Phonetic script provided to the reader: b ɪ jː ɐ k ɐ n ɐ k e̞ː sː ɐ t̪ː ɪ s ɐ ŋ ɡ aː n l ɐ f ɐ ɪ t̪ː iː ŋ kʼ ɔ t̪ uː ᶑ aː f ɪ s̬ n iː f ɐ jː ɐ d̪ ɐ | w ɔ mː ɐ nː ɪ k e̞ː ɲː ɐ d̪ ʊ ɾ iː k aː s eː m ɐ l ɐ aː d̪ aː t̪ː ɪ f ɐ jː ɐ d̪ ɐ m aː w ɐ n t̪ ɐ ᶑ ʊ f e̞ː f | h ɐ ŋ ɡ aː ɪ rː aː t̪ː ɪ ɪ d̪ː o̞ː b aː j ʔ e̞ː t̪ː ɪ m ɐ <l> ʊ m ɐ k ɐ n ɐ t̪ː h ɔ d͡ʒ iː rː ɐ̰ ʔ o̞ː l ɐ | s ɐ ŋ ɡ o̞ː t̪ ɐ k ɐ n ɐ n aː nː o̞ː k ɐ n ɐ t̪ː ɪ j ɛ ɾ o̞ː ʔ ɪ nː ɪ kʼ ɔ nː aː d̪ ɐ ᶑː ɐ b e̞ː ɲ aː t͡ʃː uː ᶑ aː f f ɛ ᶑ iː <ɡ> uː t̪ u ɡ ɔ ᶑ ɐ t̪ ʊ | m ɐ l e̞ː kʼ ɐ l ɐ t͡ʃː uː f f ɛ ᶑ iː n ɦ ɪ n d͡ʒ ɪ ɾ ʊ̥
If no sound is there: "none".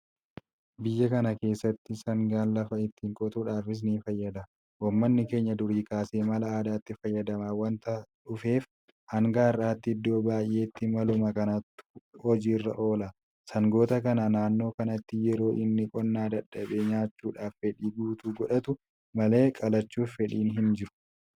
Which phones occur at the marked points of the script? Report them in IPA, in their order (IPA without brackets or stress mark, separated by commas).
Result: l, ɡ